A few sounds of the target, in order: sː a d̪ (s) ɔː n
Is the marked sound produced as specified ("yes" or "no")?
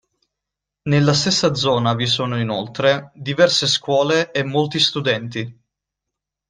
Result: no